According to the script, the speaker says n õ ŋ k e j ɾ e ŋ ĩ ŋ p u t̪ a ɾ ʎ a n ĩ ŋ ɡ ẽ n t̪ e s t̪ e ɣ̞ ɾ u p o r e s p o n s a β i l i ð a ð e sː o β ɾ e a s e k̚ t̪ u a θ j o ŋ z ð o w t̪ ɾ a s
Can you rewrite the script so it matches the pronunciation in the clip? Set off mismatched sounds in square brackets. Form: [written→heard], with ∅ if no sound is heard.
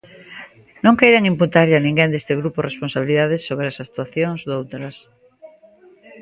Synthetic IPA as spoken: n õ ŋ k e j ɾ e ŋ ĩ [ŋ→m] p u t̪ a ɾ ʎ a n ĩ ŋ ɡ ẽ n [t̪→d̪] e s t̪ e ɣ̞ ɾ u p o r e s p o n s a β i l i ð a ð e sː o β ɾ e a s [e→a] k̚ t̪ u a θ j o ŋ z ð o w t̪ ɾ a s